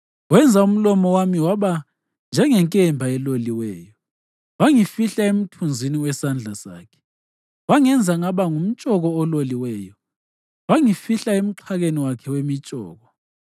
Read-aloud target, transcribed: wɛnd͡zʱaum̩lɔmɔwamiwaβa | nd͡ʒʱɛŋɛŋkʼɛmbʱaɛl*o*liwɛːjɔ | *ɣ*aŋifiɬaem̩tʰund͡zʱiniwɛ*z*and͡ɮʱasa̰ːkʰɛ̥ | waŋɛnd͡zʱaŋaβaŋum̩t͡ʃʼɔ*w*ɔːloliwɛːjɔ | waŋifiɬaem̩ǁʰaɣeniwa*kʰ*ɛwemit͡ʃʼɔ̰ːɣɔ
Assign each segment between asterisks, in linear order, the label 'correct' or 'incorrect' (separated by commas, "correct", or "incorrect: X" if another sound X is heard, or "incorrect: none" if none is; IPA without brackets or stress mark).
correct, incorrect: w, incorrect: s, incorrect: ɣ, correct